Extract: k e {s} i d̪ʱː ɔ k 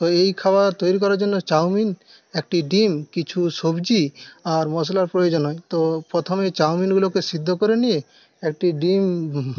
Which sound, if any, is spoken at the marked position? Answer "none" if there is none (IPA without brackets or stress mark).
s